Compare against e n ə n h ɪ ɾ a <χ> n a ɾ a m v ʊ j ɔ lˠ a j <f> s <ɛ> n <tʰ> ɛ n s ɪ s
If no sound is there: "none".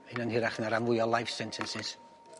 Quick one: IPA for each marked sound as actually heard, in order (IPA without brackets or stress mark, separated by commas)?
χ, f, ɛ, tʰ